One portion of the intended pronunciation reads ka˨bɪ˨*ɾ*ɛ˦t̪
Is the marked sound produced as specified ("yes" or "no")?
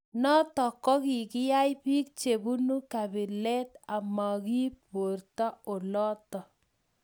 no